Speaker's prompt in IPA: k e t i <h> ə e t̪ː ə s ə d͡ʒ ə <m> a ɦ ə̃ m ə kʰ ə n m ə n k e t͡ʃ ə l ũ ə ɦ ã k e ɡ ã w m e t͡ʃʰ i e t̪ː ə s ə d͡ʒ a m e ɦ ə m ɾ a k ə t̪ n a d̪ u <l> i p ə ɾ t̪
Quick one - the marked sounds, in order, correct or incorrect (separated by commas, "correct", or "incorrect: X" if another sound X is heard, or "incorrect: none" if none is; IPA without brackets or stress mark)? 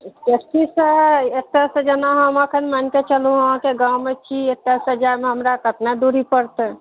incorrect: s, incorrect: n, incorrect: ɾ